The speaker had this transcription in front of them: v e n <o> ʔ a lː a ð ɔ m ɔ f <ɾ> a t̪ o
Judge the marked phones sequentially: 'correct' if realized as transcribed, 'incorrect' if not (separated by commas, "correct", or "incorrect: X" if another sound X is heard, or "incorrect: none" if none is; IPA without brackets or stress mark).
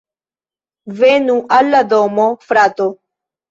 incorrect: u, correct